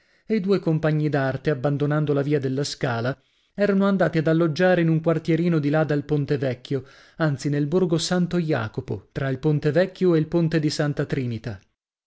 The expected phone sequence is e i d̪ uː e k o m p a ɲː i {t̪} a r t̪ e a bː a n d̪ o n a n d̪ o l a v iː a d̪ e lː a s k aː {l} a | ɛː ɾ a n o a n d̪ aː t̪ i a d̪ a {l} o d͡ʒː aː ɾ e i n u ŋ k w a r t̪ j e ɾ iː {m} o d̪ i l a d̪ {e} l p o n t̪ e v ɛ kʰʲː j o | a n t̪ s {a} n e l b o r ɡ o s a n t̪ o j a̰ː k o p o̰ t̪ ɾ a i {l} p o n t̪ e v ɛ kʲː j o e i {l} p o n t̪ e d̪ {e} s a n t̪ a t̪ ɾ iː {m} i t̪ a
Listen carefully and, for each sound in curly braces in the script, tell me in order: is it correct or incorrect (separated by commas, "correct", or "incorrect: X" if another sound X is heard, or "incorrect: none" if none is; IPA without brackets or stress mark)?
incorrect: d̪, correct, incorrect: lː, incorrect: n, incorrect: a, incorrect: i, correct, correct, incorrect: i, incorrect: n